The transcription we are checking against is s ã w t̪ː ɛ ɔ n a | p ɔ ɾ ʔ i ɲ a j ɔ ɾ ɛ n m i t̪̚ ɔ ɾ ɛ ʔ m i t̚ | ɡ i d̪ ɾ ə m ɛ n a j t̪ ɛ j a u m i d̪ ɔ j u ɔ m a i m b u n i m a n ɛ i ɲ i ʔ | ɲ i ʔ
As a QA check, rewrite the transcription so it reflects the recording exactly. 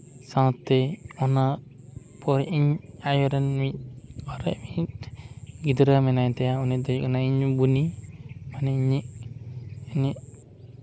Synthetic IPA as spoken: s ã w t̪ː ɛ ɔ n a | p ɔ ɾ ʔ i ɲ a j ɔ ɾ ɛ n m i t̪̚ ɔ ɾ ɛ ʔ m i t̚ | ɡ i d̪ ɾ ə m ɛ n a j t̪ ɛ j a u n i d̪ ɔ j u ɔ n a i ɲ b u n i m a n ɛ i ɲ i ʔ | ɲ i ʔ